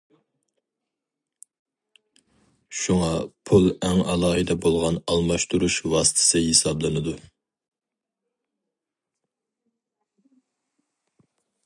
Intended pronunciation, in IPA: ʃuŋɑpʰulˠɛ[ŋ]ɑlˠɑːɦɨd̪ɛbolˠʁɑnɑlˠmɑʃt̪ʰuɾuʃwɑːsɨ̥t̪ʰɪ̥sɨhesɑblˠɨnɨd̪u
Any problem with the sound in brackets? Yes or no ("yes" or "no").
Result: no